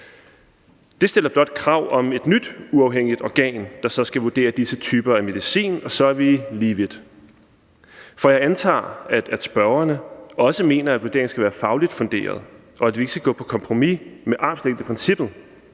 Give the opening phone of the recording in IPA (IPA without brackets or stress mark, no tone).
d̥